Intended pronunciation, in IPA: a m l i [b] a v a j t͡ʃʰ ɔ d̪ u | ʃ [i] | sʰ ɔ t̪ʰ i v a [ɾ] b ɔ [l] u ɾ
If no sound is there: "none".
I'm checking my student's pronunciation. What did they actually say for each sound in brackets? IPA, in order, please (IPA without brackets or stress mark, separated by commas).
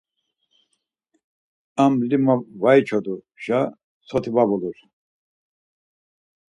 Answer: m, a, none, l